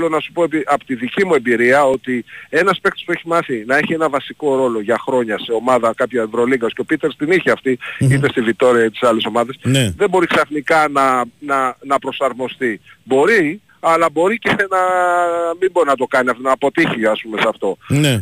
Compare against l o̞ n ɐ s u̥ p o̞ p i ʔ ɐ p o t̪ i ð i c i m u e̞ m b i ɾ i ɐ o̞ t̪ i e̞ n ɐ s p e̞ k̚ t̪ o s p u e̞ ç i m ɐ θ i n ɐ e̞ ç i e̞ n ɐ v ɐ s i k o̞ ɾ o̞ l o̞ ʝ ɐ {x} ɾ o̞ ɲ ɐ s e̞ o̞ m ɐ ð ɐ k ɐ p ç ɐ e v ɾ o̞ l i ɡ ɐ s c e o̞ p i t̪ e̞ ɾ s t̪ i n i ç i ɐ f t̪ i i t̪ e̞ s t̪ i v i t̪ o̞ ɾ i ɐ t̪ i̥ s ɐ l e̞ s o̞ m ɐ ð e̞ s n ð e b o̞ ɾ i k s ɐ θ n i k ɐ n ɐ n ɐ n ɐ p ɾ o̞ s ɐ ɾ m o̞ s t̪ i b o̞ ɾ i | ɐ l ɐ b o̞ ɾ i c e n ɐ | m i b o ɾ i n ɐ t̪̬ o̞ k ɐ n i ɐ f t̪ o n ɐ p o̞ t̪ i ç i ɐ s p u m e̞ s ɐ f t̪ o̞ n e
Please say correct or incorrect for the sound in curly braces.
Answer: correct